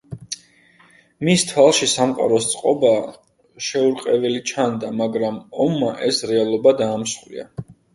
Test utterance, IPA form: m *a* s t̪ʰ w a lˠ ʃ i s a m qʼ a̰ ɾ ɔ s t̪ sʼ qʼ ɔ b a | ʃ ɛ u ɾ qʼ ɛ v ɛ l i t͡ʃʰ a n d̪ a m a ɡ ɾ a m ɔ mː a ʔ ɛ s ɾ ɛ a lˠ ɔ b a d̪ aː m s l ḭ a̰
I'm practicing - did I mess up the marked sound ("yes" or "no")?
yes